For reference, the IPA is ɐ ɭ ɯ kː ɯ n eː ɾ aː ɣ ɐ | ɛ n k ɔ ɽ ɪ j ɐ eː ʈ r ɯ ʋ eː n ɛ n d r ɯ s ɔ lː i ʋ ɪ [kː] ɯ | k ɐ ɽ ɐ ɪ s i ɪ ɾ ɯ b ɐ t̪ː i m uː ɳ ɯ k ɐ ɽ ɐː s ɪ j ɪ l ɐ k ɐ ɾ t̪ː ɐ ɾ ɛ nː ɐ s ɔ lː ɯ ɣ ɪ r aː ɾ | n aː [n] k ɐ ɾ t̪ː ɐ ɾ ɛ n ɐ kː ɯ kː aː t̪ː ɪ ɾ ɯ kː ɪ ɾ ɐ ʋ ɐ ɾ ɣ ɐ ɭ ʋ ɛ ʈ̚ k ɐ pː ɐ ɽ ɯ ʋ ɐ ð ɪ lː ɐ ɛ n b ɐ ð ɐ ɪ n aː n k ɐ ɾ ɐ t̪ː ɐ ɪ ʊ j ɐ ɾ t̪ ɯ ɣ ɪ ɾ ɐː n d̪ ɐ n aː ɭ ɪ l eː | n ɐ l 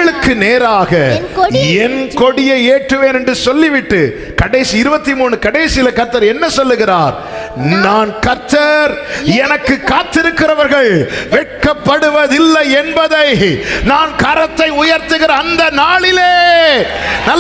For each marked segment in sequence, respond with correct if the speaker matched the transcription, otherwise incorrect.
incorrect, correct

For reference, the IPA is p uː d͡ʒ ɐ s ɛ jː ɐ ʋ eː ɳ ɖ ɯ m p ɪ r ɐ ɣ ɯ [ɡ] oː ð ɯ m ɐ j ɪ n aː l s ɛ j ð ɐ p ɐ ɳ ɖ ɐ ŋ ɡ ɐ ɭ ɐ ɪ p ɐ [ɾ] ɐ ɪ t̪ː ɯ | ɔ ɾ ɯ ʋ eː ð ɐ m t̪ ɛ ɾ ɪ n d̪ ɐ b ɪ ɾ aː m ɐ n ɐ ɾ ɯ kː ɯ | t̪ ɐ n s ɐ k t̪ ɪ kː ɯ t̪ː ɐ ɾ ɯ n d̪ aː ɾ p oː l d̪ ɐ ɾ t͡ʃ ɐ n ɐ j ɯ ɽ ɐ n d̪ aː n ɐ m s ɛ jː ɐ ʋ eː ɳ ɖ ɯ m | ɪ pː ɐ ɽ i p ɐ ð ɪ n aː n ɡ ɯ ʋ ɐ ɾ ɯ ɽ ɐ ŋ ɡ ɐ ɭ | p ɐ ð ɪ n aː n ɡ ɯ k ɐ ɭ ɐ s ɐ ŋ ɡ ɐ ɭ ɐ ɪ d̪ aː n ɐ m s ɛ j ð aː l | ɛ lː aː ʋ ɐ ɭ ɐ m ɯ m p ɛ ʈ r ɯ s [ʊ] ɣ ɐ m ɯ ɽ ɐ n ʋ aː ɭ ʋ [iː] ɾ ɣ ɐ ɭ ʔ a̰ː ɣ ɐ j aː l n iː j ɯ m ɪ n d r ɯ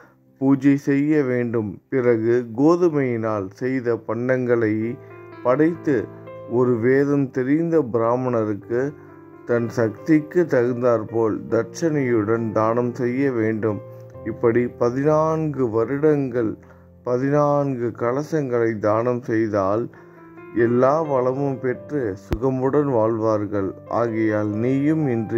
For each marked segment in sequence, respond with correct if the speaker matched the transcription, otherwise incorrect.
correct, incorrect, correct, incorrect

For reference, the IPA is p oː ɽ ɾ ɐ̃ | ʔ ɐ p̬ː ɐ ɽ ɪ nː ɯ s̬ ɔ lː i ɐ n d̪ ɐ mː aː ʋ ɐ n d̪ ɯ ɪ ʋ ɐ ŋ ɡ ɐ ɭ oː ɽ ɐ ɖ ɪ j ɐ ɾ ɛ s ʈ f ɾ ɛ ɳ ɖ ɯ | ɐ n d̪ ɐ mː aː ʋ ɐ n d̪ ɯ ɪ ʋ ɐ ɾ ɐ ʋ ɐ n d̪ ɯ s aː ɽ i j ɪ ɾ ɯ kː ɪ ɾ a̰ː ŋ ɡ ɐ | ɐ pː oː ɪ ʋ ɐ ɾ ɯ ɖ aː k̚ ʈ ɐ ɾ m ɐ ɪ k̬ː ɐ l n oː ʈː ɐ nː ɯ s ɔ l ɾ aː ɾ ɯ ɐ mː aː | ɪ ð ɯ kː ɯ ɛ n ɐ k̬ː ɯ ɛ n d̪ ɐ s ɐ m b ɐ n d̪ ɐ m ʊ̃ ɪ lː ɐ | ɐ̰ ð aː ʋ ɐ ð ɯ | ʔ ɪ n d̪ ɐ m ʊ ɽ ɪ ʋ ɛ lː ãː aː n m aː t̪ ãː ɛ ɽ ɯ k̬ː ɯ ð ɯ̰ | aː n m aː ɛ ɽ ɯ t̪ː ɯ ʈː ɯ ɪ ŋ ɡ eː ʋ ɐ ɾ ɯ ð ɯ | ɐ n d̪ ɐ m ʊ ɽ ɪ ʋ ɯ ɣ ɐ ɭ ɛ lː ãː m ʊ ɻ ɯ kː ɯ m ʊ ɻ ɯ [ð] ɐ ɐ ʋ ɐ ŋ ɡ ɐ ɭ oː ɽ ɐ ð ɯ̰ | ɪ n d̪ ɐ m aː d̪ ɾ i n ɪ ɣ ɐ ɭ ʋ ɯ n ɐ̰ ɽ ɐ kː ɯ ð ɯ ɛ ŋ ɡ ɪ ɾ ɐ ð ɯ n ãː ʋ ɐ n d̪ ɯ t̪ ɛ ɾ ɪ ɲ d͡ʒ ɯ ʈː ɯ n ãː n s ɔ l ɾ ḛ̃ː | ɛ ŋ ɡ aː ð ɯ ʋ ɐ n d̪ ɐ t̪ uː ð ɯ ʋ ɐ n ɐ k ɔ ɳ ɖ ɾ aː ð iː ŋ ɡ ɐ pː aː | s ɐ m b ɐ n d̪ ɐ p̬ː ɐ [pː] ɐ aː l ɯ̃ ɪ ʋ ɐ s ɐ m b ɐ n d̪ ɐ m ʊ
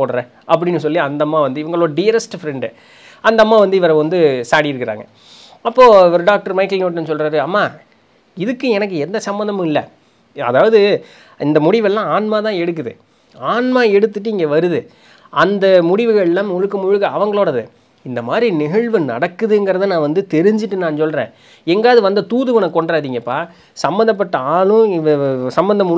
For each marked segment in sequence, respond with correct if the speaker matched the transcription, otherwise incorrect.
incorrect, incorrect

